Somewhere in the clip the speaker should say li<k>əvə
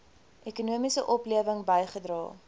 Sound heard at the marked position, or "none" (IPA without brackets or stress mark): none